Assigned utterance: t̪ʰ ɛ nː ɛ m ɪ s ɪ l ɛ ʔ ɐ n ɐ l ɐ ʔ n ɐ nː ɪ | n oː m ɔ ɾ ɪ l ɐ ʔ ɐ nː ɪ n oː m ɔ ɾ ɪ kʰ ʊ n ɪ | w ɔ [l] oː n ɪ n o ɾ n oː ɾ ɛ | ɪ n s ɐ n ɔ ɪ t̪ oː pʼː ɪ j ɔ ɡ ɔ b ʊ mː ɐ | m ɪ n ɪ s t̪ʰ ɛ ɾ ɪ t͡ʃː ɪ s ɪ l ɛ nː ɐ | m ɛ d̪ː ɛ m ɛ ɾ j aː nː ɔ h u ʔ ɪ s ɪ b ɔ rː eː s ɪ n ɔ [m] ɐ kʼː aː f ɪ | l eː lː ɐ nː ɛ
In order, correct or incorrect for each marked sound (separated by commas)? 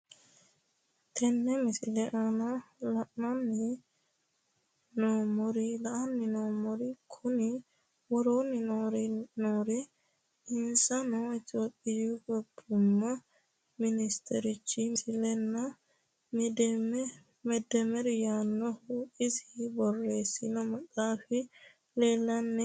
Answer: incorrect, correct